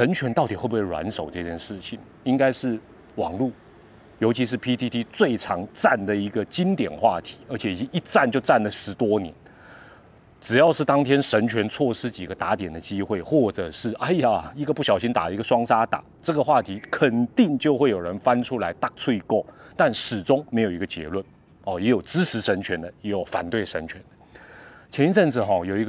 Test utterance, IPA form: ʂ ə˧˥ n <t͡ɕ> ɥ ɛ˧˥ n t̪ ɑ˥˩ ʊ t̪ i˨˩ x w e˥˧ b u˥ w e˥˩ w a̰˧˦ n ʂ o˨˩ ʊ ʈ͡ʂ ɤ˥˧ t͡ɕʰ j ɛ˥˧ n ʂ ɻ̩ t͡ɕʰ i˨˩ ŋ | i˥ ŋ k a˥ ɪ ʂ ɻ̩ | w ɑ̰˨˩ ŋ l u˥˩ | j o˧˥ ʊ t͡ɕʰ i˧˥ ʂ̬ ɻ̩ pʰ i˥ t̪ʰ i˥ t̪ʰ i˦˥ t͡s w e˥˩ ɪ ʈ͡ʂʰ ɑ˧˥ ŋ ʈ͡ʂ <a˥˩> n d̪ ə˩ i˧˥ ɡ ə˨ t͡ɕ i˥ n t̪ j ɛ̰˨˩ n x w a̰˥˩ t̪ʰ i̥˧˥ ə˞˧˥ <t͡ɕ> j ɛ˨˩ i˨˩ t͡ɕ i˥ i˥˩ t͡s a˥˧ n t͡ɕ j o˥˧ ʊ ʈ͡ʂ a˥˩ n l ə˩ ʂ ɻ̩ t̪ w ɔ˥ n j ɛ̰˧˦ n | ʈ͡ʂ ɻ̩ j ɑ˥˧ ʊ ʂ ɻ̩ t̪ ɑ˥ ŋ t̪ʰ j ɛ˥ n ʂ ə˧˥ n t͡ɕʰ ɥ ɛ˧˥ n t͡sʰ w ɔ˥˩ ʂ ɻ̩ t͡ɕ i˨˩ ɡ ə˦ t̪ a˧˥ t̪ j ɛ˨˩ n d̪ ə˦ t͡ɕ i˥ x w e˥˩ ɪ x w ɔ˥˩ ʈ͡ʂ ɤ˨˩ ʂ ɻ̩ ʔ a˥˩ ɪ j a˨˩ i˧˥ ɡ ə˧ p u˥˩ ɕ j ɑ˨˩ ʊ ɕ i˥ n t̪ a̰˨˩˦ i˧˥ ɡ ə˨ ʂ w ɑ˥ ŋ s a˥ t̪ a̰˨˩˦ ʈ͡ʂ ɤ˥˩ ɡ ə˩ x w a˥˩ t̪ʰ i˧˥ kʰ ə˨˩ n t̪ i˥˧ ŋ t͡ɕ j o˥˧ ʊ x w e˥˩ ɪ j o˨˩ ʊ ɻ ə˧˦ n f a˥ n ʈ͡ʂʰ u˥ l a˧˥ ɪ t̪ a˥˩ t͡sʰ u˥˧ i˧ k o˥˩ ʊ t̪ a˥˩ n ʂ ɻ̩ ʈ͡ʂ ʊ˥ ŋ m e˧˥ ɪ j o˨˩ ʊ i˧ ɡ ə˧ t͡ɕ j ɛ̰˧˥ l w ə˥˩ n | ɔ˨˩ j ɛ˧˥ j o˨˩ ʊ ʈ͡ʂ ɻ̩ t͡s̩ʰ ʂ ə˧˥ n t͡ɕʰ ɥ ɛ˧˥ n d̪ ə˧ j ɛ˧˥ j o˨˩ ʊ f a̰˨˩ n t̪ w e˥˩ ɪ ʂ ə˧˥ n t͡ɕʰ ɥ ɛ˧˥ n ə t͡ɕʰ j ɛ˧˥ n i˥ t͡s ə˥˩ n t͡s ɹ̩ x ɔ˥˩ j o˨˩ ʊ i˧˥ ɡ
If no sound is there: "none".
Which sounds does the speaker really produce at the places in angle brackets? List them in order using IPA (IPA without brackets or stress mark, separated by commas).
t͡ɕʰ, a˥˩, t͡ɕʰ